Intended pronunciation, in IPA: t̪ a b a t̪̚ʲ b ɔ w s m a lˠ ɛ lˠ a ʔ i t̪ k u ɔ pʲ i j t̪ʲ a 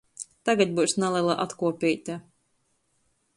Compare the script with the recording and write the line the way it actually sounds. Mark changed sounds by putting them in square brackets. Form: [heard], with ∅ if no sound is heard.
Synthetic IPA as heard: t̪ a [ɡ] a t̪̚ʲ b [u] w s [n] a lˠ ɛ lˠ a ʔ [a] t̪ k u ɔ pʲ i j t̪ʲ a